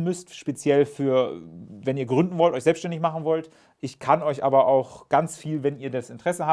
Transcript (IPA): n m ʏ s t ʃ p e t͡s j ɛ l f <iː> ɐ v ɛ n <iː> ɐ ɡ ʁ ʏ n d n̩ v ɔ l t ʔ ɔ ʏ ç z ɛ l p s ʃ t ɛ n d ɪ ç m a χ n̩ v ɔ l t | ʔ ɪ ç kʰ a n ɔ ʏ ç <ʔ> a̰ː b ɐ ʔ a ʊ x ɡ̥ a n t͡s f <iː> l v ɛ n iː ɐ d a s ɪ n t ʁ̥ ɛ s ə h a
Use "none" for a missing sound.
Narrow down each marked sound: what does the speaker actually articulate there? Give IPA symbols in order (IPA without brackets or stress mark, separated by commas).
yː, iː, ʔ, iː